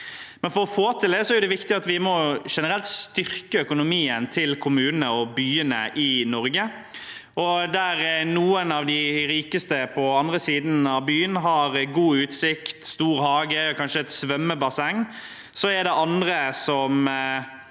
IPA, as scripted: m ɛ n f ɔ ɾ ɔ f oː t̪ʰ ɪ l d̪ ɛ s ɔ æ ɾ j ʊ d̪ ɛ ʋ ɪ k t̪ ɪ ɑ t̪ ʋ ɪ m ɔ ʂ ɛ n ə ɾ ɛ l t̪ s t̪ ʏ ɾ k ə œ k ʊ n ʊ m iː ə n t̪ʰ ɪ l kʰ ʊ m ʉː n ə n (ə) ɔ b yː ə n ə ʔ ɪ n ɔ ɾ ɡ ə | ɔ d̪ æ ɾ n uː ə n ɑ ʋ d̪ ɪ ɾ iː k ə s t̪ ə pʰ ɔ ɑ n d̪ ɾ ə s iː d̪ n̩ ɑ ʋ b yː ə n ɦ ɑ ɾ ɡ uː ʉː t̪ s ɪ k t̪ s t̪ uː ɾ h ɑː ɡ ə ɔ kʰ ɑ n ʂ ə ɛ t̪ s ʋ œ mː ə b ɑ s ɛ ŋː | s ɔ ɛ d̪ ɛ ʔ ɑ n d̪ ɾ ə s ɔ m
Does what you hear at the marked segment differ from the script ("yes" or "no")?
no